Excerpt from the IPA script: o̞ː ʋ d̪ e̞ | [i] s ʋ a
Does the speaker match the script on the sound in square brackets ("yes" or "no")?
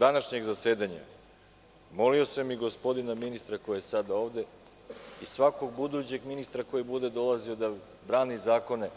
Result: yes